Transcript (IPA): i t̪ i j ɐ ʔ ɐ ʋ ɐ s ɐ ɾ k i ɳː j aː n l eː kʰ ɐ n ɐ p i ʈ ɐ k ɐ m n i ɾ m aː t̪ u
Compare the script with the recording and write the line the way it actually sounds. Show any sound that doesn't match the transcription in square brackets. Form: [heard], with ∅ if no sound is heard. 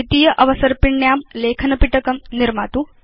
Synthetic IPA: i t̪ i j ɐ ʔ ɐ ʋ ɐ s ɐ ɾ [p] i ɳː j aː [m] l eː kʰ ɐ n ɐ p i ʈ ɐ k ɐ m n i ɾ m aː t̪ u